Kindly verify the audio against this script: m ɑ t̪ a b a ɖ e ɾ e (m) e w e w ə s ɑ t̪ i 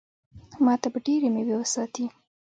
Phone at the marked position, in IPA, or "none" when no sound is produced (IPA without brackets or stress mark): m